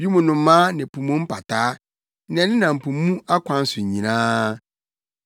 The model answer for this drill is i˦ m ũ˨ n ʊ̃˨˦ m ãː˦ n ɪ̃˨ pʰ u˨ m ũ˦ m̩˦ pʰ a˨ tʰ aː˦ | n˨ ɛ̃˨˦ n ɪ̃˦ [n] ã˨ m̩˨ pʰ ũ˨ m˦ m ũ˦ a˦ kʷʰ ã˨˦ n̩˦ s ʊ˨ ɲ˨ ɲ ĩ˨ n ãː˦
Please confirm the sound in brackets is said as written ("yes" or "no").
yes